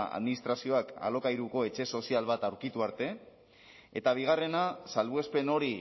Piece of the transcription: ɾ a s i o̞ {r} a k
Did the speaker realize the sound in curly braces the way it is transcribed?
no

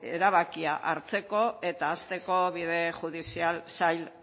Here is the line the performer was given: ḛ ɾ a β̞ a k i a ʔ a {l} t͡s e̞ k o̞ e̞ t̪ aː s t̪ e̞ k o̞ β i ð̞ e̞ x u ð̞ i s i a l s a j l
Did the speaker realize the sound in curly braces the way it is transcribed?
no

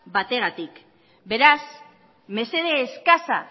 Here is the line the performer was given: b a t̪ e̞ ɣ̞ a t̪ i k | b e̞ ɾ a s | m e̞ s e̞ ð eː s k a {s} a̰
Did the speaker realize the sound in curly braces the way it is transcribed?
yes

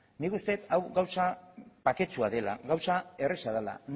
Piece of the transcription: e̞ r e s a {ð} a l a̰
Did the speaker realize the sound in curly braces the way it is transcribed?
yes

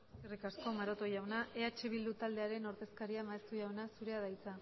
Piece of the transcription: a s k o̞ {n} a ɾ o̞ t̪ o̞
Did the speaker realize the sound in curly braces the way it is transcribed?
no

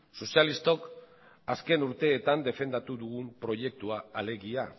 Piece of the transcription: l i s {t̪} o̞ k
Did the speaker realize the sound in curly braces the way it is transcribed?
yes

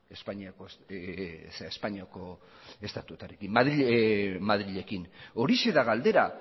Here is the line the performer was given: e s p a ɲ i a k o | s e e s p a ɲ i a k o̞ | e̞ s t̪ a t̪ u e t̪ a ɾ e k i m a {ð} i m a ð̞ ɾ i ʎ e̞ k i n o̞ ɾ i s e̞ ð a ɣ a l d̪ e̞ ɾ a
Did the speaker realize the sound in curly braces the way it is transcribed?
yes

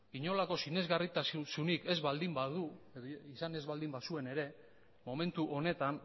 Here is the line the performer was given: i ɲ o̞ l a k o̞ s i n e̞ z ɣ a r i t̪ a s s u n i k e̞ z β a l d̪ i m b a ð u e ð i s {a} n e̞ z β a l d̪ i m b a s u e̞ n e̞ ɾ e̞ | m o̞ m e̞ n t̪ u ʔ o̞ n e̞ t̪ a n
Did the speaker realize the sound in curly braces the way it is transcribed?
yes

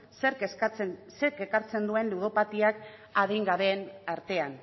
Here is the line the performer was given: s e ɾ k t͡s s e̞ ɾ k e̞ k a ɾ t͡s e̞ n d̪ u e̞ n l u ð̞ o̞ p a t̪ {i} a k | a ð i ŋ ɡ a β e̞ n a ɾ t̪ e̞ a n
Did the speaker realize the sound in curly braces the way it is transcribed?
yes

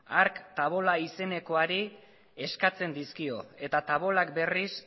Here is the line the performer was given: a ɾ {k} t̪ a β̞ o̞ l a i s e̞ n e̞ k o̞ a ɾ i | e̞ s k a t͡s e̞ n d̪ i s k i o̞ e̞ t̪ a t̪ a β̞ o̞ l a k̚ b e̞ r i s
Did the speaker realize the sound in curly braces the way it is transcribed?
yes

